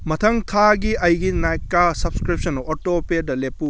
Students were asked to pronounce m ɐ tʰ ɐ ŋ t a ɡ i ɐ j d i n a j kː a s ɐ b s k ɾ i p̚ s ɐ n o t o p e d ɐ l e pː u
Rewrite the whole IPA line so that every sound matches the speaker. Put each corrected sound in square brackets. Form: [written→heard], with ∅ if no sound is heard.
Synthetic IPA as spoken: m ɐ tʰ ɐ ŋ [t→tʰ] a ɡ i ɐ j [d→ɡ] i n a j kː a s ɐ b s k ɾ i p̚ s ɐ n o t o p e d ɐ l e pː u